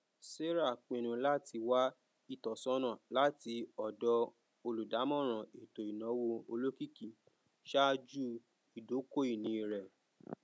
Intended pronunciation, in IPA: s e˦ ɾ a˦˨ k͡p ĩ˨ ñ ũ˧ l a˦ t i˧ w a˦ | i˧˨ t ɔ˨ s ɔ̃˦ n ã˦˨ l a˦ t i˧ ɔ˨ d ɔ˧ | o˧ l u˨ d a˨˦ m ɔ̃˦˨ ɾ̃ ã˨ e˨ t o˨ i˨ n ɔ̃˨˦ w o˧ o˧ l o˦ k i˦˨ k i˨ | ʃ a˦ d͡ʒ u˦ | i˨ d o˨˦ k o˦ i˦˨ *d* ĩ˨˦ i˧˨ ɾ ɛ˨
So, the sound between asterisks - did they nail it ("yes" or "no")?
no